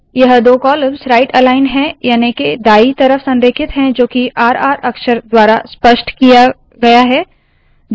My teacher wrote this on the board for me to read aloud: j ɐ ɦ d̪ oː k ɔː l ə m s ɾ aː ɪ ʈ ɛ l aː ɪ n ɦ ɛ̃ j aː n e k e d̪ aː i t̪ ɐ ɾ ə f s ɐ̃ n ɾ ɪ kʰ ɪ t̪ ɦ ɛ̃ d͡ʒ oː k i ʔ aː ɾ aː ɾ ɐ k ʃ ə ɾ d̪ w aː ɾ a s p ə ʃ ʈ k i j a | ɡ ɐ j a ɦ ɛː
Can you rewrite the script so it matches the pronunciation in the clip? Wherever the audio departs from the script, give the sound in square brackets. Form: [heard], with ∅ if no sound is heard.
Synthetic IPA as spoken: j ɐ ɦ d̪ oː k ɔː l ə m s ɾ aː ɪ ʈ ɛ l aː ɪ n ɦ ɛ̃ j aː n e k e d̪ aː i t̪ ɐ ɾ ə f s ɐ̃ n ɾ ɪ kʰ ɪ t̪ ɦ ɛ̃ d͡ʒ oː k i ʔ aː ɾ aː ɾ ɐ k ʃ ə ɾ d̪ w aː ɾ a s p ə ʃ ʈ k i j a | ɡ ɐ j a ɦ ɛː